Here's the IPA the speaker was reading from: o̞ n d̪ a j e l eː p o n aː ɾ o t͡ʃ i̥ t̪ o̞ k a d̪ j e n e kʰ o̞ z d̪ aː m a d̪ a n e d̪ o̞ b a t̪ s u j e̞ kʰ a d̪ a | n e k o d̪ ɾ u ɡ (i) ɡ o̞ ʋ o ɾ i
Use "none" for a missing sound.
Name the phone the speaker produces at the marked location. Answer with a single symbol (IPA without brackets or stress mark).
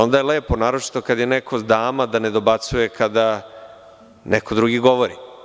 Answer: i